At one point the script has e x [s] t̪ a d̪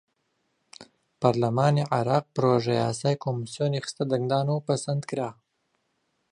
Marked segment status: correct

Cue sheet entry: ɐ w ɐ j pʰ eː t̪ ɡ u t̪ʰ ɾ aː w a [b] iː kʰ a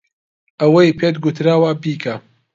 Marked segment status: correct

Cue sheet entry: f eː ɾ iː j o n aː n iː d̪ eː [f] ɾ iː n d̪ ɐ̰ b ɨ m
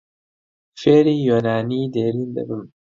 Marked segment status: incorrect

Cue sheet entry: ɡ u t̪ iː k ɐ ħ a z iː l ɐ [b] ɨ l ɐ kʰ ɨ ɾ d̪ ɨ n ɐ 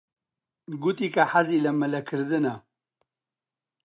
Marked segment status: incorrect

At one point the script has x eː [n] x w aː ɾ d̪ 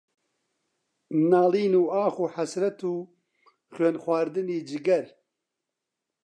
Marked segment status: correct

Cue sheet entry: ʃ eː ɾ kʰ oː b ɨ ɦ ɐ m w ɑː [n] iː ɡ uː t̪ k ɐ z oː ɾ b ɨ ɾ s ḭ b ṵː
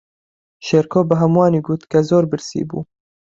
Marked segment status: correct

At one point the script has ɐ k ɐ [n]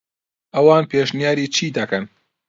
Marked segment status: correct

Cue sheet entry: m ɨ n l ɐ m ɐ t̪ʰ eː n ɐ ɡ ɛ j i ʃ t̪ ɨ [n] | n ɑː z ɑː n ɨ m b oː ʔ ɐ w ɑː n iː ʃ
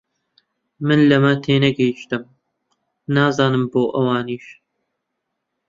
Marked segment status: incorrect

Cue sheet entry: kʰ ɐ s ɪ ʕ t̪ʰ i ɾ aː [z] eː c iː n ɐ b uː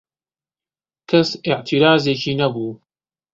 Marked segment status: correct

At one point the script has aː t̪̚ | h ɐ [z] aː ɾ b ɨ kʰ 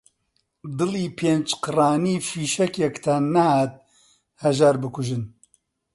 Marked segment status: incorrect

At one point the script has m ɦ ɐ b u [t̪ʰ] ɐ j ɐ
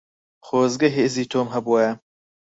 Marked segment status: incorrect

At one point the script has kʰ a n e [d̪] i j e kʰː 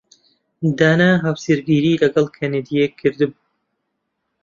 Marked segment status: correct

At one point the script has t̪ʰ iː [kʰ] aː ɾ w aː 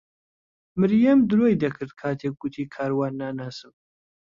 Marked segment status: correct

